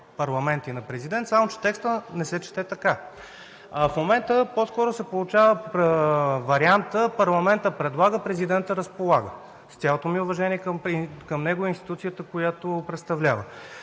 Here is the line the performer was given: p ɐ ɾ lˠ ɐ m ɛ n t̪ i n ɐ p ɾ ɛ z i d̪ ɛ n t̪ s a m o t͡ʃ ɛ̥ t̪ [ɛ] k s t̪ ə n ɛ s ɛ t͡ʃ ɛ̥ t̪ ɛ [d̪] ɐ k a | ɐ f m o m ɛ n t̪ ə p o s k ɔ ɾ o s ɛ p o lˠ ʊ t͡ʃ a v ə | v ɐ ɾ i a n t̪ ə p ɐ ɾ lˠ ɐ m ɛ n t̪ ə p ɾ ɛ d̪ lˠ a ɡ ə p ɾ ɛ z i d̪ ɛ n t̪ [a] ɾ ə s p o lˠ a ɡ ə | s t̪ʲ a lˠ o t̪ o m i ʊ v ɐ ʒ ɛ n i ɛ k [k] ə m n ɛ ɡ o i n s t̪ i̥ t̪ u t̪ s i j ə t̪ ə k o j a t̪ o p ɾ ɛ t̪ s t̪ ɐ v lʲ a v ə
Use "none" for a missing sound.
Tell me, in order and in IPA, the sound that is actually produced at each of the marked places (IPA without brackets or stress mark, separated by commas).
ɛ, t̪, ə, k